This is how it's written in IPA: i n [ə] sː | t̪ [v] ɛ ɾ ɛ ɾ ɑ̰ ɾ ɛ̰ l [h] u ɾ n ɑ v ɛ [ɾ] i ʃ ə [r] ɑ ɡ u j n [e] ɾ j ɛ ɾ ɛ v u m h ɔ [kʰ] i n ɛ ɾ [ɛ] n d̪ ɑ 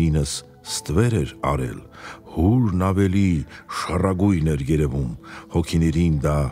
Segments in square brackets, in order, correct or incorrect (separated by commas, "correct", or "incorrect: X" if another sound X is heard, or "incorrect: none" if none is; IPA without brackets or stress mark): correct, correct, correct, incorrect: l, correct, incorrect: ɛ, correct, incorrect: i